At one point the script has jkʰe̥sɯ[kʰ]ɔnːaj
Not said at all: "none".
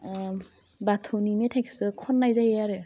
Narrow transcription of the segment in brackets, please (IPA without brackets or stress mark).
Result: kʰ